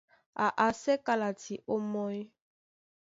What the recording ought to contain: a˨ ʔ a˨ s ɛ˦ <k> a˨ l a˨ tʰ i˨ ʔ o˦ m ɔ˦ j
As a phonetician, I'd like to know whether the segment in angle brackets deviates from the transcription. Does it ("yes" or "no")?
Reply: no